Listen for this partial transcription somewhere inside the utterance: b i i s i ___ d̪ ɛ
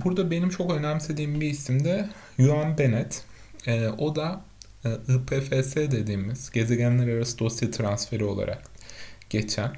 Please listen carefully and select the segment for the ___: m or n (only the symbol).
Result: m